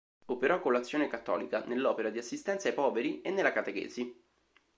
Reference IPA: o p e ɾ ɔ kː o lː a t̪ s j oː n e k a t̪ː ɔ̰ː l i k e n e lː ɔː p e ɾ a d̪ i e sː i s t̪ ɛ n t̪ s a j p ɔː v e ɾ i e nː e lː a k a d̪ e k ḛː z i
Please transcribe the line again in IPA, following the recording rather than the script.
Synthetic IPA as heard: o p e ɾ ɔ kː o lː a t̪ sː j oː n e k a t̪ː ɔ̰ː l i k a n e lː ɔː p e ɾ a d̪ i a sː i s t̪ ɛ n t̪ s a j p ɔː v e ɾ i e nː e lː a k a t̪ e k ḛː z i